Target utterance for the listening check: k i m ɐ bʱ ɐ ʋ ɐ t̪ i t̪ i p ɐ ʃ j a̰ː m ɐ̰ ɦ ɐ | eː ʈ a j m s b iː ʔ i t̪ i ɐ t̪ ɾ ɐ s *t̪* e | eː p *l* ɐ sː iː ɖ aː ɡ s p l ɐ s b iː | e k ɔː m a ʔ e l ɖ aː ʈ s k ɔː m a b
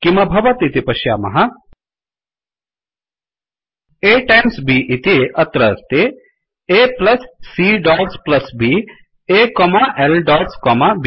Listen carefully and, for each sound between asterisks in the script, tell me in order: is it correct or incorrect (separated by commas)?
correct, correct